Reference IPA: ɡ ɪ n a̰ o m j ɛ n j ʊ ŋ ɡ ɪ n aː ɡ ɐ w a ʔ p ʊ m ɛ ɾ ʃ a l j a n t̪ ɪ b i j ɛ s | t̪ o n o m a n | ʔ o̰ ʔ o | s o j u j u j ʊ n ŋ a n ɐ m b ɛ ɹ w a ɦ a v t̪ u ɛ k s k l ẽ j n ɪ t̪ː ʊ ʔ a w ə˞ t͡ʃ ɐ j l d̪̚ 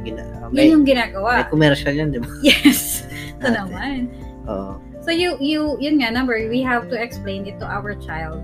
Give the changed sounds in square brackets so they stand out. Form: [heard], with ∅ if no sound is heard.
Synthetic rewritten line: ɡ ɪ n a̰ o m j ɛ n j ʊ ŋ ɡ ɪ n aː ɡ ɐ w a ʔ [k] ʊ m ɛ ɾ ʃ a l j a n [d̪] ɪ b [a] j ɛ s | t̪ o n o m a n | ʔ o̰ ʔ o | s o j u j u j ʊ n ŋ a n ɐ m b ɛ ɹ w [i] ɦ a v t̪ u ɛ k s [p] l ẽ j n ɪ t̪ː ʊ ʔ a w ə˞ t͡ʃ [a] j l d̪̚